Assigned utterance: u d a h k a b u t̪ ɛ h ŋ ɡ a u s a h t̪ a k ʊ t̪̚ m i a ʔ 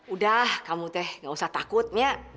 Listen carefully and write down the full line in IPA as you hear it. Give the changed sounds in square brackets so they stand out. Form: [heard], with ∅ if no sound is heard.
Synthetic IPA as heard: u d a h k a [m] u t̪ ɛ h ŋ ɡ a u s a h t̪ a k ʊ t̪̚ m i a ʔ